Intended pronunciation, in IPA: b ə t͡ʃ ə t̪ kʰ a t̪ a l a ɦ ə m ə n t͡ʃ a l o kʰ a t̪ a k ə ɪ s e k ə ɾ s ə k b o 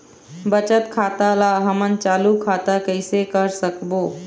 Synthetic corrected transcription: b ə t͡ʃ ə t̪ kʰ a t̪ a l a ɦ ə m ə n t͡ʃ a l u kʰ a t̪ a k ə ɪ s e k ə ɾ s ə k b o